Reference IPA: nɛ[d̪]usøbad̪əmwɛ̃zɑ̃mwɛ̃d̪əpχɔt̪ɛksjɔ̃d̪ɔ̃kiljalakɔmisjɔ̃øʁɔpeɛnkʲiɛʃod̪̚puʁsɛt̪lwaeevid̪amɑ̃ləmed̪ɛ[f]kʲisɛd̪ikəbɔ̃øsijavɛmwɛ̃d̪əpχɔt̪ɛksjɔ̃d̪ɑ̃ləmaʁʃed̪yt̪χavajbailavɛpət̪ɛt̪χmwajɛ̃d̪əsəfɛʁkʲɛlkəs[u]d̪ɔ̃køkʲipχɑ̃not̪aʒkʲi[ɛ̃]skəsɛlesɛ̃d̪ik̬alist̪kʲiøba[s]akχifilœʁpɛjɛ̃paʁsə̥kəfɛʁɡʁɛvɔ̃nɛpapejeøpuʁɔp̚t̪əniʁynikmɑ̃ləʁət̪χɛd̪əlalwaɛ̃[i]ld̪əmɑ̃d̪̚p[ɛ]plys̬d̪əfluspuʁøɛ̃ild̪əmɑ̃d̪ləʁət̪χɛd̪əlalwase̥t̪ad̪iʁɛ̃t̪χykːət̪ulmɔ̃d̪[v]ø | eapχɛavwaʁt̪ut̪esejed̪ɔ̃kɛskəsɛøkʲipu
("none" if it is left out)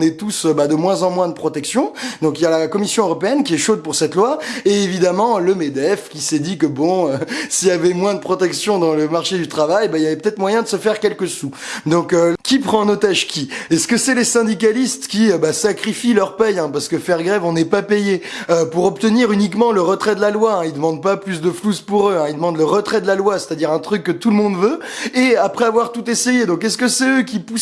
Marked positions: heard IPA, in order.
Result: t̪, f, u, ɛ, s, i, a, v

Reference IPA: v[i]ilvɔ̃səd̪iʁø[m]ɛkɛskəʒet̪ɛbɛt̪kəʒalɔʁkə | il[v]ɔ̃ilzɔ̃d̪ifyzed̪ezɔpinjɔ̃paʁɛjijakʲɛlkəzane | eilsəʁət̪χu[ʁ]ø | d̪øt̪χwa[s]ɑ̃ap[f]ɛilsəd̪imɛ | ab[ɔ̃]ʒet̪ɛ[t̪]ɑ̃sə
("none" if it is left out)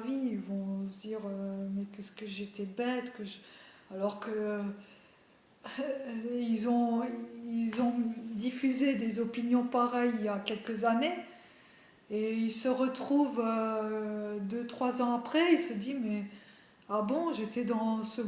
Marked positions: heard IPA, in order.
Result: i, m, z, v, z, χ, ɔ̃, d̪

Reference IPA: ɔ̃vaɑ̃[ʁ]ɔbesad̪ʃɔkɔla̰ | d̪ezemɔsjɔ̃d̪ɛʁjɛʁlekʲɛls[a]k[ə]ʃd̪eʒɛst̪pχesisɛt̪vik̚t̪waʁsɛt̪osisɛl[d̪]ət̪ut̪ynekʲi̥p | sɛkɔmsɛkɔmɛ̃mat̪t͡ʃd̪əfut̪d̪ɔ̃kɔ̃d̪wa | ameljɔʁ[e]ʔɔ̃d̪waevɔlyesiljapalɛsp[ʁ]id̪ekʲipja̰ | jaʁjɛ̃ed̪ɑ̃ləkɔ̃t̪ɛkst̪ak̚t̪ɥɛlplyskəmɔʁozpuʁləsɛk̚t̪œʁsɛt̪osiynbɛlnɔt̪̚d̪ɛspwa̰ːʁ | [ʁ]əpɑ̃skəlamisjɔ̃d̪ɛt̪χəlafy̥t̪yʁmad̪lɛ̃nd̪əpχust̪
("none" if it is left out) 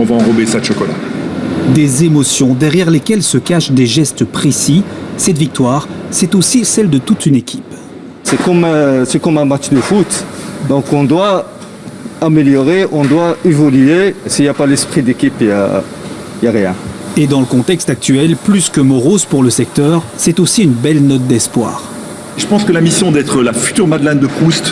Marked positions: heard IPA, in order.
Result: ʁ, ə, a, d̪, e, χ, ʒ

